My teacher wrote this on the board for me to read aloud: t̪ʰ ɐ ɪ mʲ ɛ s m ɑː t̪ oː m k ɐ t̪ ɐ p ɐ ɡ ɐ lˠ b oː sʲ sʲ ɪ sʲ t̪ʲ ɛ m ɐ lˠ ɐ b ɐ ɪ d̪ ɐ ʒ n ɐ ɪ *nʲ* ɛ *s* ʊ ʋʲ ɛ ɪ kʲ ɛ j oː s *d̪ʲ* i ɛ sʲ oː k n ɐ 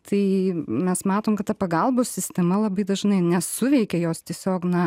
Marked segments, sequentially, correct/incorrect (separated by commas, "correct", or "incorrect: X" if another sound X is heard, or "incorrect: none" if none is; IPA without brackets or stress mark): correct, correct, incorrect: t̪ʲ